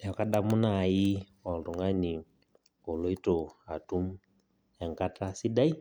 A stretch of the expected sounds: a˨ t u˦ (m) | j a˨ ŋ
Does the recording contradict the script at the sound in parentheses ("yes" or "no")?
no